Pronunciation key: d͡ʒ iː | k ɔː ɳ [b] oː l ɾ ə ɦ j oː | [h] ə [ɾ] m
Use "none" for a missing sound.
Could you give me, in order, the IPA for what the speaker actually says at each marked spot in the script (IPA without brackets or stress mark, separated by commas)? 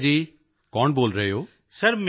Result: b, s, ɾ